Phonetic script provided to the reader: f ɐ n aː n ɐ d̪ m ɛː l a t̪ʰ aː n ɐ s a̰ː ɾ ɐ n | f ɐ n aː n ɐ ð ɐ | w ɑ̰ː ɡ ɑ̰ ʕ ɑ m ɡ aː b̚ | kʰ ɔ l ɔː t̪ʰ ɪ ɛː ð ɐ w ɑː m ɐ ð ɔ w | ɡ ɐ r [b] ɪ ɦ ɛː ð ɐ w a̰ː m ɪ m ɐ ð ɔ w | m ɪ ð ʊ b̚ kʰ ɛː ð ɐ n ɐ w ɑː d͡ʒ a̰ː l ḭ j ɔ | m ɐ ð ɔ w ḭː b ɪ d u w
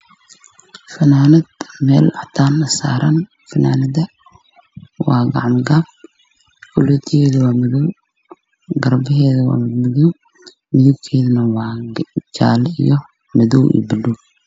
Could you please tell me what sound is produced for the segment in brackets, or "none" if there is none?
b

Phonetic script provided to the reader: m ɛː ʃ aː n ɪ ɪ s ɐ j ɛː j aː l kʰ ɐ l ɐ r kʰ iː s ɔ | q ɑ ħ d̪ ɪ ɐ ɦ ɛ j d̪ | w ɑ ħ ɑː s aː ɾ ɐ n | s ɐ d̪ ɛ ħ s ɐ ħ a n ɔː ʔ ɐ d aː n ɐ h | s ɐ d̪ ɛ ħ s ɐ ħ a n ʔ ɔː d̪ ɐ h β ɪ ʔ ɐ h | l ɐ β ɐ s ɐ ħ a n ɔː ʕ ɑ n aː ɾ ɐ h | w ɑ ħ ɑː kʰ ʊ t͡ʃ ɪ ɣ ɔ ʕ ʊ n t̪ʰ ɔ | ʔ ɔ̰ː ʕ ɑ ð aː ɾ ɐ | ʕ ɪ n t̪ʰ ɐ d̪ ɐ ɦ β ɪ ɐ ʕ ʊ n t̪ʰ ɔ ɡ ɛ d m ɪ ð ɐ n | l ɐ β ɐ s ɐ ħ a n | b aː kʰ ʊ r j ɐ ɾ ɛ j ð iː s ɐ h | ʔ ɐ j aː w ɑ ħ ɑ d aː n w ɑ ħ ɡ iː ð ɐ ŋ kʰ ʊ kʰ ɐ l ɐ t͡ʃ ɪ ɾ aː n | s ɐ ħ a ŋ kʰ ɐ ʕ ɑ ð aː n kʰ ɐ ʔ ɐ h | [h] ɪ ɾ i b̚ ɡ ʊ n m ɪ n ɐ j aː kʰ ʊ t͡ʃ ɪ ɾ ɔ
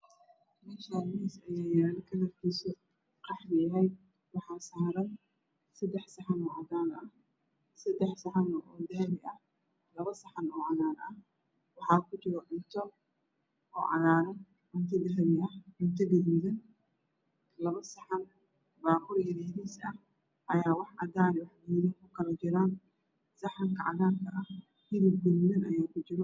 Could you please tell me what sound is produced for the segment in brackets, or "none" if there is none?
h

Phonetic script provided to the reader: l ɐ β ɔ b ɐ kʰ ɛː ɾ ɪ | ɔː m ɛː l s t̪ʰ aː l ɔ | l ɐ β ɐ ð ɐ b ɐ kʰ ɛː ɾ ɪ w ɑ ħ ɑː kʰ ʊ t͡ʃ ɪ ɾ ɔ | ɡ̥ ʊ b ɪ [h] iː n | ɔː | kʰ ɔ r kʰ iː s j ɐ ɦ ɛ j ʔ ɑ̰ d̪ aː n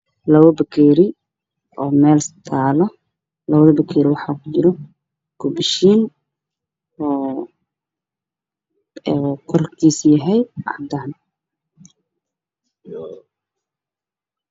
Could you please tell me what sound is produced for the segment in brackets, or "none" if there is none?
ʃ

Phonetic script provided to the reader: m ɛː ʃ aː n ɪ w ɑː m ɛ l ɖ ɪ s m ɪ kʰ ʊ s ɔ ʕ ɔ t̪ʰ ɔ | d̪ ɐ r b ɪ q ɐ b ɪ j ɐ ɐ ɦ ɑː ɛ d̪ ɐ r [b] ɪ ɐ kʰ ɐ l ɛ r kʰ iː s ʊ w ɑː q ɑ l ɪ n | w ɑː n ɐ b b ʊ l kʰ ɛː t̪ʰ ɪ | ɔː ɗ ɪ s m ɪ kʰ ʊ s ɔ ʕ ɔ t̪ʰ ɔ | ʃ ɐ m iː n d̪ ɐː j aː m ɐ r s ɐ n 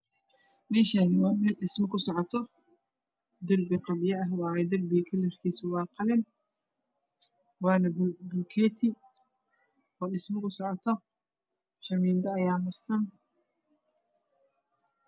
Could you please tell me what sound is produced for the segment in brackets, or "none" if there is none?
b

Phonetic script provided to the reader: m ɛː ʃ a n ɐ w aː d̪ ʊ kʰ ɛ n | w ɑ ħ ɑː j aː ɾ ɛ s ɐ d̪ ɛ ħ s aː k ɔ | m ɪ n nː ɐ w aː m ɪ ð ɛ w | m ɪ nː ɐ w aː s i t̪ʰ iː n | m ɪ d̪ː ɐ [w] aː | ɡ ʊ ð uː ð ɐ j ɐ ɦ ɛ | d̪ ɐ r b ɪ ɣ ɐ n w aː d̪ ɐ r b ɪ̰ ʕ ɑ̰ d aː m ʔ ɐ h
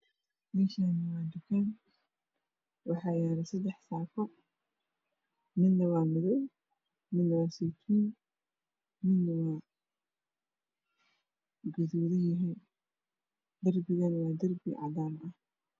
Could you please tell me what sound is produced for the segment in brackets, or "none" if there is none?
w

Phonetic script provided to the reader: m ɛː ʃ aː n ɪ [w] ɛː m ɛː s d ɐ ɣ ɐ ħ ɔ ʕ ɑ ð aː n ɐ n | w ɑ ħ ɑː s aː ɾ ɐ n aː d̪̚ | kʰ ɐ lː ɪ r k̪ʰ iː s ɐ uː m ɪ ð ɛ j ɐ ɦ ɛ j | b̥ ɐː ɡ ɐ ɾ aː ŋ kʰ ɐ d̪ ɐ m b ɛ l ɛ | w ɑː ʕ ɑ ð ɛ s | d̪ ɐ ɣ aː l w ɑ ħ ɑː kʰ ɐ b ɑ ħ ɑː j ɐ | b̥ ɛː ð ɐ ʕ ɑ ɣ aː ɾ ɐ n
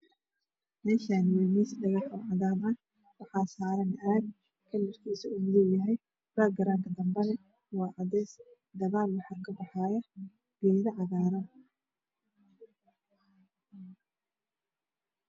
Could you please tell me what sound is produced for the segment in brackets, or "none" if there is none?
w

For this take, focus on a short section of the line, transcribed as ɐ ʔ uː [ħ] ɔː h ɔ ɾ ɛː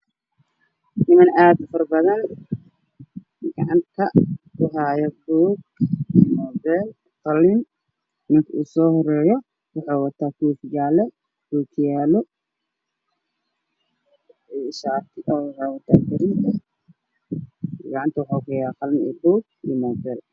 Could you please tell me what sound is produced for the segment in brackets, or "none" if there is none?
s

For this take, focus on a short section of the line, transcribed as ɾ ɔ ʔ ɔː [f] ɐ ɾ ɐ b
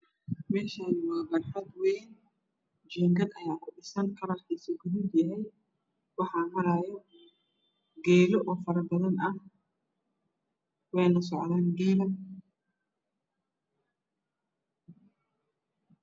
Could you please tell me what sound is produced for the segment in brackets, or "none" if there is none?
f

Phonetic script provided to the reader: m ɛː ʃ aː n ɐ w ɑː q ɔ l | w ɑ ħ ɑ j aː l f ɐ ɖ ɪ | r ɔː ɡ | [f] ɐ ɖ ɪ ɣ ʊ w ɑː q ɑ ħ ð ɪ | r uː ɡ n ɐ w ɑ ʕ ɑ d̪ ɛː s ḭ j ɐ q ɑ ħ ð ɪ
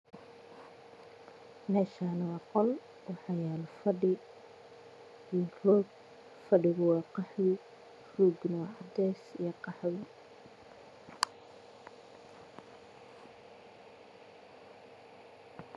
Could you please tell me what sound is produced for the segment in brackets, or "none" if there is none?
f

